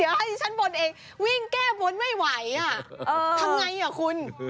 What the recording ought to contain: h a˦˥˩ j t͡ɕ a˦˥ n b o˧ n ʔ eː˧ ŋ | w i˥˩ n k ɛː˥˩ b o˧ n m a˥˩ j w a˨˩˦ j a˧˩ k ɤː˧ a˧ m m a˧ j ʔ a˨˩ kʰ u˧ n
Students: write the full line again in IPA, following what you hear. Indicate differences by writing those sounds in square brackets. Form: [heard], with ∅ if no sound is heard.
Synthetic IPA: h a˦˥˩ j [t͡ɕʰ] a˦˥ n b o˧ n ʔ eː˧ ŋ | w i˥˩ [ŋ] k ɛː˥˩ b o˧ n m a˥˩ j w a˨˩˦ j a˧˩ [ʔ] ɤː˧ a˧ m [ŋ] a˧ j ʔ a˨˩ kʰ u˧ n